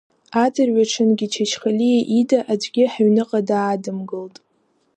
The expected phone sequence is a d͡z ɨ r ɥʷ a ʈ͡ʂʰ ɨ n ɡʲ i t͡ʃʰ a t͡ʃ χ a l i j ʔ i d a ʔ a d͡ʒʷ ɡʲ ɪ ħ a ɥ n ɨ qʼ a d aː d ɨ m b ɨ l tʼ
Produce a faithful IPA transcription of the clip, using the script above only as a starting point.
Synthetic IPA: a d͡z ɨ r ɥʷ a ʈ͡ʂʰ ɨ n ɡʲ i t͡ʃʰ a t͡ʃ χ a l i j ʔ i d a ʔ a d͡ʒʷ ɡʲ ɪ ħ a ɥ n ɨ qʼ a d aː d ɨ m ɡ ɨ l tʼ